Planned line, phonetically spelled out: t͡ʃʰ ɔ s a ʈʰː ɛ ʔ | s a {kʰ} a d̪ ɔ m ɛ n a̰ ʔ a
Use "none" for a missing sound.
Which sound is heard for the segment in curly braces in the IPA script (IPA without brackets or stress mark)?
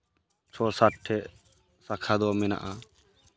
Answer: kʰ